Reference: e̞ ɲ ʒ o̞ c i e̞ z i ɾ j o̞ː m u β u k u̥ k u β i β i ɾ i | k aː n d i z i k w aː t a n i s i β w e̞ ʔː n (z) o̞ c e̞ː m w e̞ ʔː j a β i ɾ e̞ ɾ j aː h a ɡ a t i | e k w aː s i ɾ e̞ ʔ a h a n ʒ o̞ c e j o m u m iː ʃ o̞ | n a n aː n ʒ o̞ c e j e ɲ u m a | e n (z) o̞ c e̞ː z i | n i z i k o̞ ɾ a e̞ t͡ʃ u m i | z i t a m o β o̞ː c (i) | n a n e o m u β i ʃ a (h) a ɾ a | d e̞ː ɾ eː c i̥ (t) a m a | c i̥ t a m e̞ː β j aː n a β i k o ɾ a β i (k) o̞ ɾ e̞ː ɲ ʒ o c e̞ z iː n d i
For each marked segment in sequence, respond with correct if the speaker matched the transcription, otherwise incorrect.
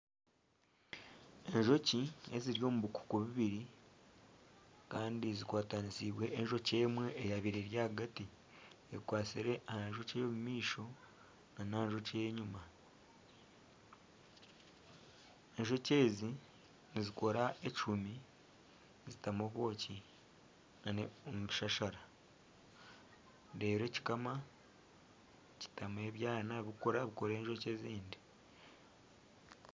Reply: incorrect: ʒ, incorrect: ʒ, correct, incorrect: ʃ, incorrect: k, correct

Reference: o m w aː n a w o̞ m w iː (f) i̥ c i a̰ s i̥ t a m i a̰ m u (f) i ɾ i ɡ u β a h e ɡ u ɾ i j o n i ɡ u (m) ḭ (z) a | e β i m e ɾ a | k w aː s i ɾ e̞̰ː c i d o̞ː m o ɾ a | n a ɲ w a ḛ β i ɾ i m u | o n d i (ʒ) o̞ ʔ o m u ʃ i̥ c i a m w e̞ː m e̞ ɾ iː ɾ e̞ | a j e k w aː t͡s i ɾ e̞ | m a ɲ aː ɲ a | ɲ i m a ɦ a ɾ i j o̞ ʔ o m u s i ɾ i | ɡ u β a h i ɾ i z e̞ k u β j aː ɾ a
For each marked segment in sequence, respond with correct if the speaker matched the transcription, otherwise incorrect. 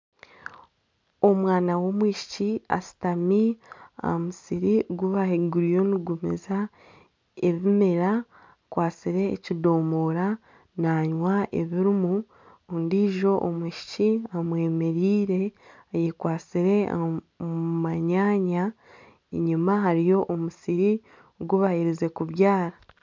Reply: incorrect: ʃ, incorrect: s, correct, correct, correct

